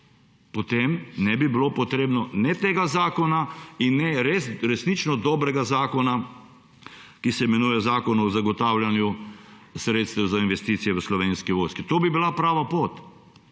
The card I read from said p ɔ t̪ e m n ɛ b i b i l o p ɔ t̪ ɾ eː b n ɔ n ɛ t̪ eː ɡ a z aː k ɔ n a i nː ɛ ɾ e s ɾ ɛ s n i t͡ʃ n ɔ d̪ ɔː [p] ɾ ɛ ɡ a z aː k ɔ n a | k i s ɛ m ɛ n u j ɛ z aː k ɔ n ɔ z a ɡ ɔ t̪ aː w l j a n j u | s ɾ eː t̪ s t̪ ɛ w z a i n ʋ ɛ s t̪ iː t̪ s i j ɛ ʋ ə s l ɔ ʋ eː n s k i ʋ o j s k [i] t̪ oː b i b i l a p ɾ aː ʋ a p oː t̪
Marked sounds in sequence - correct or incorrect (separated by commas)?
incorrect, correct